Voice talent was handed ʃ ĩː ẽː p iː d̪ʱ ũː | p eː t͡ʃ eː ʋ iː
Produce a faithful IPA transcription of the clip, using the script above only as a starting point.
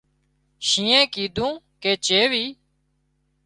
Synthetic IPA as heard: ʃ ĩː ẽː k iː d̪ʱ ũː | k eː t͡ʃ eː ʋ iː